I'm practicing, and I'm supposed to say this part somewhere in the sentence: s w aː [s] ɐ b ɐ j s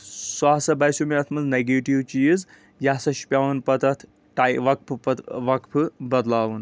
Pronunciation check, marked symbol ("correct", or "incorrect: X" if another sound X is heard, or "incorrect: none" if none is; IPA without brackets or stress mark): correct